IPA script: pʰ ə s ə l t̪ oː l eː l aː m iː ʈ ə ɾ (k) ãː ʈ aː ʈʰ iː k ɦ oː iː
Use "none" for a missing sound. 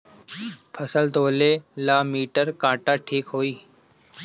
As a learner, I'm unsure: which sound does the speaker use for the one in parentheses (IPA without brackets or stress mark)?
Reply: k